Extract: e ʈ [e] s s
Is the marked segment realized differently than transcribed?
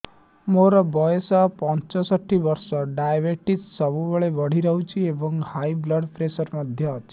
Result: yes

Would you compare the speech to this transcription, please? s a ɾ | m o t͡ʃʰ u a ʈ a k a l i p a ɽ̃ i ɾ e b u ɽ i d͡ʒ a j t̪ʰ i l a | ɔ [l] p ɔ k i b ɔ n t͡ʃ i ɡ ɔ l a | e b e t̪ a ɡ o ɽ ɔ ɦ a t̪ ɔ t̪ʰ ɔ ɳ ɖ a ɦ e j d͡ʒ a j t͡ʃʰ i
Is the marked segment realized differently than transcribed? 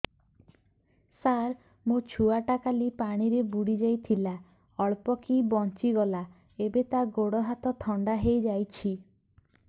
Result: yes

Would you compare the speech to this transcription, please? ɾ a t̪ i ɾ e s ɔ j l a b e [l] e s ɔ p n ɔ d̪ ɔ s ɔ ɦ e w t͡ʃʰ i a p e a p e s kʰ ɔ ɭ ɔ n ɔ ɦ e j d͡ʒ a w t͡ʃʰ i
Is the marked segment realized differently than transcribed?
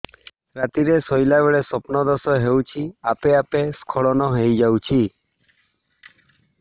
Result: yes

